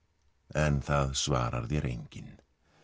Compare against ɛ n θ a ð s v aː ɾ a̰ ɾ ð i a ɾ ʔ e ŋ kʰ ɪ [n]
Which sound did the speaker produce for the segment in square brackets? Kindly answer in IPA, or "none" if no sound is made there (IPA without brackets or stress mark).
n